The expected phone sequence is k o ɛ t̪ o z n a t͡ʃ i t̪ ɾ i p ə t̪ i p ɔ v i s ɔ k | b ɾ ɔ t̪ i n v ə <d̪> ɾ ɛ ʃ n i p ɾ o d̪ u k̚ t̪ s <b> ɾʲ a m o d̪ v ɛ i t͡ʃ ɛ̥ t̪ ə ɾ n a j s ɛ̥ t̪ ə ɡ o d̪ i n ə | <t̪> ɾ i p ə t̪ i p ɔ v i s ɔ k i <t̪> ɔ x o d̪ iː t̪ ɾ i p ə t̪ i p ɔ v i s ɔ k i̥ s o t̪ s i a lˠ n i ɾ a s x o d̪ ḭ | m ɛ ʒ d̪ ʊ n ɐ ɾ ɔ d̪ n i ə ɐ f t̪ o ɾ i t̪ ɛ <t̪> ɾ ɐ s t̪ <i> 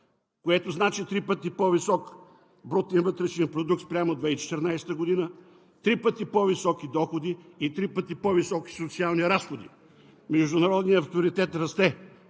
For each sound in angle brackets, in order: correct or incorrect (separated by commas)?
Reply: incorrect, incorrect, correct, incorrect, correct, incorrect